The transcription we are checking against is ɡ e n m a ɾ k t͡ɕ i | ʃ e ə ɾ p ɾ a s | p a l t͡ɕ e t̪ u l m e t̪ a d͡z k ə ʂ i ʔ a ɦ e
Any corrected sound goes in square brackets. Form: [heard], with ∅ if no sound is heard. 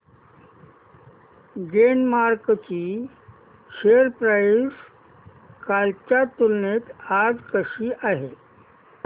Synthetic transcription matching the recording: ɡ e n m a ɾ k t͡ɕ i | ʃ e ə ɾ p ɾ a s | [k] a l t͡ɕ [a] t̪ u l [n] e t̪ a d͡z k ə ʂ i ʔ a ɦ e